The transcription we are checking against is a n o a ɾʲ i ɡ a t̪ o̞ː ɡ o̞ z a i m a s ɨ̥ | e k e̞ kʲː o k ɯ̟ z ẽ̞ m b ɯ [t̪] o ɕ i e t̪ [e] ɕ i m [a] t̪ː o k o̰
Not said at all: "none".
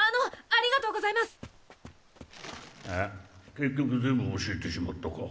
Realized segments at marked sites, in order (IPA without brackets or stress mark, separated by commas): none, e, a